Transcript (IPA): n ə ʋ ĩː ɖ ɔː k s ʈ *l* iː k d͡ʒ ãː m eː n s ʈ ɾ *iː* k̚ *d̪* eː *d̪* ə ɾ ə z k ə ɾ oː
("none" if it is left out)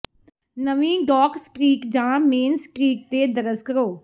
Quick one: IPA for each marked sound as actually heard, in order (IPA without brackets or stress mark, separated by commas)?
ɾ, iː, t̪, d̪